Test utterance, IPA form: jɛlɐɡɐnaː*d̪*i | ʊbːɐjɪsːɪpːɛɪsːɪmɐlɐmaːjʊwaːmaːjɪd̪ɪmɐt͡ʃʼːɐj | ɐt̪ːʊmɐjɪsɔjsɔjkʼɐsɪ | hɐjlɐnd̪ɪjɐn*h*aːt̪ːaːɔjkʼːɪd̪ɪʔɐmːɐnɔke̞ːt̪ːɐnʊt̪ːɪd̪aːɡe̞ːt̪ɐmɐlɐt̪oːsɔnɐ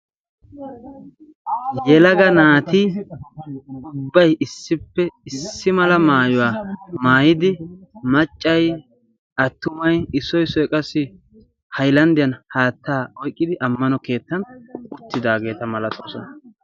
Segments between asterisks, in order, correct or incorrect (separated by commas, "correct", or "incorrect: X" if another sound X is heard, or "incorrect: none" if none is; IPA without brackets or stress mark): incorrect: t̪, correct